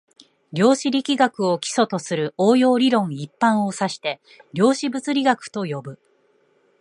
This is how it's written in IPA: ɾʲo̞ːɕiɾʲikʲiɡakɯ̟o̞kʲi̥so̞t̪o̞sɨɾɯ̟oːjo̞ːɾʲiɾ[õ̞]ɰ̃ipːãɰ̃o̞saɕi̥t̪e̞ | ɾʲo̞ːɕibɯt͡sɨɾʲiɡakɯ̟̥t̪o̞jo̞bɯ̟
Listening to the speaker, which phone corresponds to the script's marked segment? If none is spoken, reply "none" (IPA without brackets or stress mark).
õ̞